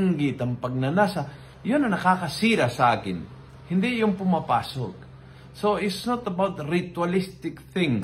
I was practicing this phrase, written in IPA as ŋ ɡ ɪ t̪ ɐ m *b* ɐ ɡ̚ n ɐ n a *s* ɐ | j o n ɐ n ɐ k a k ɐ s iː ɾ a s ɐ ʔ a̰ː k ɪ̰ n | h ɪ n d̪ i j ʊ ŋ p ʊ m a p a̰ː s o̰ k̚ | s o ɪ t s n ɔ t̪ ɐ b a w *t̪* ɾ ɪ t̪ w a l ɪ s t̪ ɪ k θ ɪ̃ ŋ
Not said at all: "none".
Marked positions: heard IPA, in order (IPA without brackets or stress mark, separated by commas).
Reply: p, s, t̪